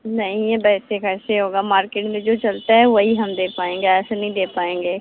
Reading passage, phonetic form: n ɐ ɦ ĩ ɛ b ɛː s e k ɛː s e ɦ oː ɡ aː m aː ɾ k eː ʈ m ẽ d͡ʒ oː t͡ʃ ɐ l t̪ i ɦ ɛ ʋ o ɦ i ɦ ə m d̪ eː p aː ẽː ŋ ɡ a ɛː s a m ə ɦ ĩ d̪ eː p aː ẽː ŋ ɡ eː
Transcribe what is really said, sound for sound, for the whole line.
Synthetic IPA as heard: n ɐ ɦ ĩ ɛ b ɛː s e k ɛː s e ɦ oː ɡ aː m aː ɾ k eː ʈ m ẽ d͡ʒ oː t͡ʃ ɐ l t̪ a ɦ ɛ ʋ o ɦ i ɦ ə m d̪ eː p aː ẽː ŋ ɡ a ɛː s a n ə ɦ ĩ d̪ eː p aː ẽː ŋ ɡ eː